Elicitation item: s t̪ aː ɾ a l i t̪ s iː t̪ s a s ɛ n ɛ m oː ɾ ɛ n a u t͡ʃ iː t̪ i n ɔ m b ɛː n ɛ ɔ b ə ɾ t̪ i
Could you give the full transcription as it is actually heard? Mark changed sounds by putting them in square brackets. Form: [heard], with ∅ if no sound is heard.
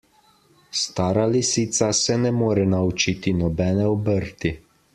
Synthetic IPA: s t̪ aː ɾ a l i [∅] s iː t̪ s a s ɛ n ɛ m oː ɾ ɛ n a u t͡ʃ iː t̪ i n ɔ [∅] b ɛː n ɛ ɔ b ə ɾ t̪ i